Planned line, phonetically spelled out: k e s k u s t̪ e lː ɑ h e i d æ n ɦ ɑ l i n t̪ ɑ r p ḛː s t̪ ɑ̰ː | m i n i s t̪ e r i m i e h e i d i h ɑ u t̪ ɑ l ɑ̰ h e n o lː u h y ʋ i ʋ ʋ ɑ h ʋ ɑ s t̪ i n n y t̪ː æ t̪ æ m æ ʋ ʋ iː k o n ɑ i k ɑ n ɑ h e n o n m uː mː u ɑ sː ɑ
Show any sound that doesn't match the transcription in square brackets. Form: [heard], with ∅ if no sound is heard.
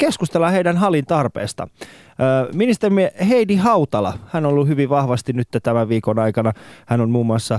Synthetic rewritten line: k e s k u s t̪ e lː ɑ h e i d æ n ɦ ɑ l i n t̪ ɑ r p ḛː s t̪ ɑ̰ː | m i n i s t̪ e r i m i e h e i d i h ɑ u t̪ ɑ l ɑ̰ h [æ] n o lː u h y ʋ i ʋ ʋ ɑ h ʋ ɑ s t̪ i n n y t̪ː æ t̪ æ m æ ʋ ʋ iː k o n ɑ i k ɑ n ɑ h [æ] n o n m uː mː u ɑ sː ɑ